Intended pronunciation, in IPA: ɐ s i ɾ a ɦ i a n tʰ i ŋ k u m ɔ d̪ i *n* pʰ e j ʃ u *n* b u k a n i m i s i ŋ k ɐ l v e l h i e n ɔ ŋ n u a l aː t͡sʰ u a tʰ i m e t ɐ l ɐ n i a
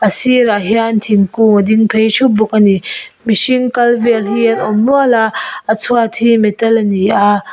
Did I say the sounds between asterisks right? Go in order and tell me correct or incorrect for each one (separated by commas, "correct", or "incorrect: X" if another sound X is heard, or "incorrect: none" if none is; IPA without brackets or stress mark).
incorrect: ŋ, incorrect: none